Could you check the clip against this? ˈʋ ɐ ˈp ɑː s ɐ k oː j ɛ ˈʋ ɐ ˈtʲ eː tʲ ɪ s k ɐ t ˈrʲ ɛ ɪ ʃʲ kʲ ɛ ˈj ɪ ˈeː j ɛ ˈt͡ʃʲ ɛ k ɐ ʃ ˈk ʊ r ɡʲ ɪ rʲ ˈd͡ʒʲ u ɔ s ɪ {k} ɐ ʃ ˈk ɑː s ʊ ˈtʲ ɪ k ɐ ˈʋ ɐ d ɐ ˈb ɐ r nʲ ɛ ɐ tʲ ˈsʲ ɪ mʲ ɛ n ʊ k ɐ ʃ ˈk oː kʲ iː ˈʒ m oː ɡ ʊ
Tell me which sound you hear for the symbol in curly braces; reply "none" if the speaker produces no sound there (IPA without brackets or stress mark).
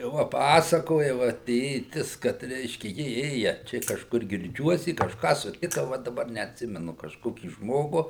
k